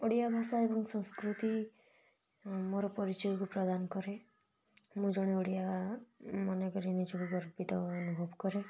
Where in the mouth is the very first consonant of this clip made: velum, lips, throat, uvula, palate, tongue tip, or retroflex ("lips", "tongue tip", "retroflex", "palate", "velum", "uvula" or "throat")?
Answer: retroflex